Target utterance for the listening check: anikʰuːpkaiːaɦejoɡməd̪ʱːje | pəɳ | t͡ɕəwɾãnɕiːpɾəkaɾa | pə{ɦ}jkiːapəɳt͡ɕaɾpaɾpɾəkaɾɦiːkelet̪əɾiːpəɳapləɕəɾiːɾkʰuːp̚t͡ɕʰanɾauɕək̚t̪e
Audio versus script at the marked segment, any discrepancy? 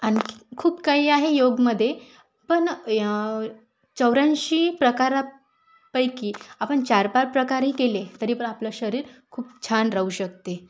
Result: yes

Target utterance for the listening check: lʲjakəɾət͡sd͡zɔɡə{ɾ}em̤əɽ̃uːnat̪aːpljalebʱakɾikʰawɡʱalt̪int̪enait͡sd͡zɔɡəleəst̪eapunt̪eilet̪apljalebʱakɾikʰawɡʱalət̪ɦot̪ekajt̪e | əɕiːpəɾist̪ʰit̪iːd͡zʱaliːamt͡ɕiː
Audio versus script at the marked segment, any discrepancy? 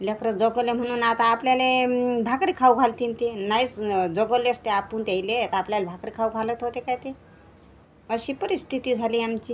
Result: yes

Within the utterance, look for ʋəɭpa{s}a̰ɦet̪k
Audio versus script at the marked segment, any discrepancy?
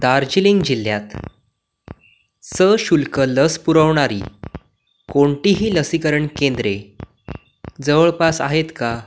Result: no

